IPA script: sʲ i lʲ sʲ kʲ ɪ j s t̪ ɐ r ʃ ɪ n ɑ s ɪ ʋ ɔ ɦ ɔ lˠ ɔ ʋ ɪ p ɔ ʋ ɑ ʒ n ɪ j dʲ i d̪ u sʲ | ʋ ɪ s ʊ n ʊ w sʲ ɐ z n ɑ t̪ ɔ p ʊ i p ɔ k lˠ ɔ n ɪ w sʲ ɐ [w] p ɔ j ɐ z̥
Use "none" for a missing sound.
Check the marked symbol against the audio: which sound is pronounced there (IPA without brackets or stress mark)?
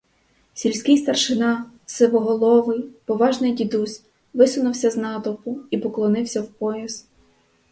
w